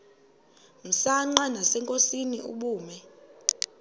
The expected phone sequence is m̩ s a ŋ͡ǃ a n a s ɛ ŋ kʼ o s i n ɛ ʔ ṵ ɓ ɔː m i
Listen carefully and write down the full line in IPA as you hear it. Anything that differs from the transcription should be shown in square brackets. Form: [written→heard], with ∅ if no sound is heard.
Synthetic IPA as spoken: m̩ s a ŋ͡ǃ a n a s ɛ ŋ kʼ o s i n [ɛ→i] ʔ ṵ ɓ [ɔː→uː] m [i→ɛ]